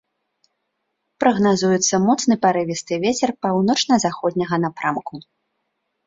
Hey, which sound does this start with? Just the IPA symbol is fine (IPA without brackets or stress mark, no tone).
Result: p